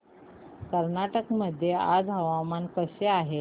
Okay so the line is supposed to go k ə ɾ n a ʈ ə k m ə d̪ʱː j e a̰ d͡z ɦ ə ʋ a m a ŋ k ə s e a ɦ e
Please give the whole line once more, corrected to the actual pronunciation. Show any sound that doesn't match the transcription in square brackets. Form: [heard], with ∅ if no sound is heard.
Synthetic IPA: k ə ɾ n a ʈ ə k m ə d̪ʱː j e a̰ d͡z ɦ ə ʋ a m a [n] k ə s e a ɦ e